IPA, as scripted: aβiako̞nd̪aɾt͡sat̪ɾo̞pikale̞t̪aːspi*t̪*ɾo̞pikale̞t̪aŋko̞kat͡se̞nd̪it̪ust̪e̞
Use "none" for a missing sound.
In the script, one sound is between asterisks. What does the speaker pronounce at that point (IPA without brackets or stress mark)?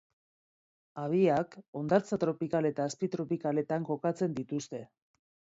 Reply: t̪